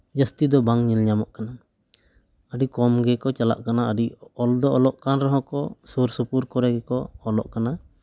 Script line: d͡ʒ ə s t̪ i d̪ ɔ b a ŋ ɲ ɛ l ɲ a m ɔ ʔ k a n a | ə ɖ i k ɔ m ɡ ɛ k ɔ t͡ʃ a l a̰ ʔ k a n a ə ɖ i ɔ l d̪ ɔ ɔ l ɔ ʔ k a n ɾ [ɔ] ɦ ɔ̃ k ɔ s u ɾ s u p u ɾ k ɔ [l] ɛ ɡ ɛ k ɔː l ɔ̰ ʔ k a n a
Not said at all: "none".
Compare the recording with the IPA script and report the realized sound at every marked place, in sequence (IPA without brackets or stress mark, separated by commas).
ɔ, ɾ